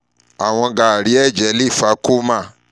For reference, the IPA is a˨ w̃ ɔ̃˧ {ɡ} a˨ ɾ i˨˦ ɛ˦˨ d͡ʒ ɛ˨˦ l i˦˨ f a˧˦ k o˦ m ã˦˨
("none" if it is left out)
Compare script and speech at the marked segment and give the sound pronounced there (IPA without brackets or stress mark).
ɡ